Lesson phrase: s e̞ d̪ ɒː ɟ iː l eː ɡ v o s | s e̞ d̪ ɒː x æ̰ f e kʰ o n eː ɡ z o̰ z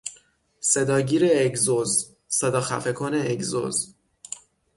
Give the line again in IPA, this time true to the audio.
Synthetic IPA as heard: s e̞ d̪ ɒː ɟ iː ɾ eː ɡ z o z | s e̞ d̪ ɒː x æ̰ f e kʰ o n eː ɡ z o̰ z

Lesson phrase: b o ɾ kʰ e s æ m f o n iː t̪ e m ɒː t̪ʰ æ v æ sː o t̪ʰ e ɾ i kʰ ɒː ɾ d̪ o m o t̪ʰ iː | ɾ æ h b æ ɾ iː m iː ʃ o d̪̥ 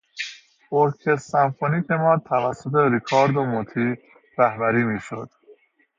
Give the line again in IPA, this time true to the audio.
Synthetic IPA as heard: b o ɾ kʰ e s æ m f o n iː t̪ e m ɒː t̪ʰ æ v æ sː o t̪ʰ e ɾ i kʰ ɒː ɾ d̪ o m o t̪ʰ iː | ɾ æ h b æ ɾ iː m iː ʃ o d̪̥

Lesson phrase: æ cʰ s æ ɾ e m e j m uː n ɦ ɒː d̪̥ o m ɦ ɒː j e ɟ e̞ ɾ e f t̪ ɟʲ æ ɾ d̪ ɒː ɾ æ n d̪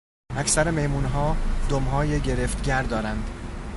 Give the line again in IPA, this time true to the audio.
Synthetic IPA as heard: æ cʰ s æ ɾ e m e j m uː n ɦ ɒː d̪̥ o m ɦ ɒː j e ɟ e̞ ɾ e f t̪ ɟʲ æ ɾ d̪ ɒː ɾ æ n d̪

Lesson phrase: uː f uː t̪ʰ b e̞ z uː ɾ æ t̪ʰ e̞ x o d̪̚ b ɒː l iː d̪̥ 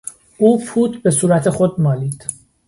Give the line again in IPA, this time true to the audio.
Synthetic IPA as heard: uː f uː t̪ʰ b e̞ s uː ɾ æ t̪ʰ e̞ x o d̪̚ m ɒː l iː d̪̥

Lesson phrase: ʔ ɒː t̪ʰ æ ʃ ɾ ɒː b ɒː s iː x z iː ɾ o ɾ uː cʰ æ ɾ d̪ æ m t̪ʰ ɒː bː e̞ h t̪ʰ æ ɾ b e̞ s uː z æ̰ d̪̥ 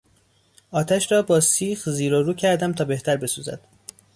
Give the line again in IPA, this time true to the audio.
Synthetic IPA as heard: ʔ ɒː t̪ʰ æ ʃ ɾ ɒː b ɒː s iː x z iː ɾ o ɾ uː cʰ æ ɾ d̪ æ m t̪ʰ ɒː b e̞ h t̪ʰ æ ɾ b e̞ s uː z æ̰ d̪̥

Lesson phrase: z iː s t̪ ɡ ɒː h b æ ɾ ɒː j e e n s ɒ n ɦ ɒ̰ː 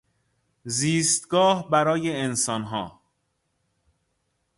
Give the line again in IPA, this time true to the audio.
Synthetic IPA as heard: z iː s t̪ ɡ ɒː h b æ ɾ ɒː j e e n s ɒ n ɦ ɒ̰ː

